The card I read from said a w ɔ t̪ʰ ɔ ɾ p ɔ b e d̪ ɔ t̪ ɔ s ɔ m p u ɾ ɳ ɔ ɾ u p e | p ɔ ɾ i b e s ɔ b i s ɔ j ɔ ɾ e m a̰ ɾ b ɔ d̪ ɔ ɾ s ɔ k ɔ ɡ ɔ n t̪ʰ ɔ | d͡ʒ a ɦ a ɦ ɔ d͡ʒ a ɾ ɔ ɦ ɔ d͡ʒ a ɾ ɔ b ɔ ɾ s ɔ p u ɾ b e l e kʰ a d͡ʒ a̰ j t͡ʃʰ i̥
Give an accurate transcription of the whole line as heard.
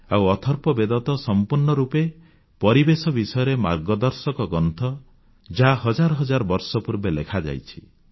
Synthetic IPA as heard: a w ɔ t̪ʰ ɔ ɾ p ɔ b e d̪ ɔ t̪ ɔ s ɔ m p u ɾ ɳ ɔ ɾ u p e | p ɔ ɾ i b e s ɔ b i s ɔ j ɔ ɾ e m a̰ ɾ ɡ ɔ d̪ ɔ ɾ s ɔ k ɔ ɡ ɔ n t̪ʰ ɔ | d͡ʒ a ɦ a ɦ ɔ d͡ʒ a ɾ ɔ ɦ ɔ d͡ʒ a ɾ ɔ b ɔ ɾ s ɔ p u ɾ b e l e kʰ a d͡ʒ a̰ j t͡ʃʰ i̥